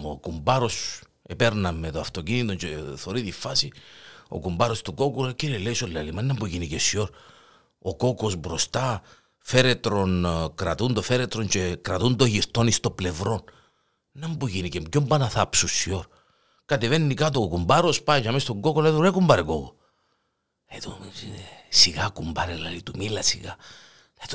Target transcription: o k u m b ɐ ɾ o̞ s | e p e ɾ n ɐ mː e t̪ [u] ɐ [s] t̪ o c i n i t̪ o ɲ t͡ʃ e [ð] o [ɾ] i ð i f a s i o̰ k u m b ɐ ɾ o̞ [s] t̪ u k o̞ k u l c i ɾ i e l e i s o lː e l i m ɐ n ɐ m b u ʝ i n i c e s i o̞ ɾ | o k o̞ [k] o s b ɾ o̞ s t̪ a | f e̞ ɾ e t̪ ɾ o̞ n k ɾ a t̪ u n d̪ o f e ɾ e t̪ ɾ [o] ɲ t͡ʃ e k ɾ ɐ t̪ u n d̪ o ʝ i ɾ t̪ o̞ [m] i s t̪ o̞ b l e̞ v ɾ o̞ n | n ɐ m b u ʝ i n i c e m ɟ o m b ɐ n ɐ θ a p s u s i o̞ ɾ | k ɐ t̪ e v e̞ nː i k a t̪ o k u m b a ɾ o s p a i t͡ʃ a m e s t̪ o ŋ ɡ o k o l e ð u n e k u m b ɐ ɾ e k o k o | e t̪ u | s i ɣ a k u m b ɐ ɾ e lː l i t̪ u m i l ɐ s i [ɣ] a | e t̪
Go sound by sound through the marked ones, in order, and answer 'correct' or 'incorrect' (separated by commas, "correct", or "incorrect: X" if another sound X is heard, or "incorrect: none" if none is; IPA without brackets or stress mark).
incorrect: o, incorrect: f, incorrect: θ, correct, correct, correct, correct, incorrect: n, correct